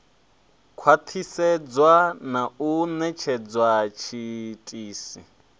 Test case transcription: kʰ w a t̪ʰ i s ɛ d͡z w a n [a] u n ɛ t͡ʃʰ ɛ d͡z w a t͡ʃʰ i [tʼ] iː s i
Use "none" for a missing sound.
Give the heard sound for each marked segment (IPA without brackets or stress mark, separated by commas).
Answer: a, tʼ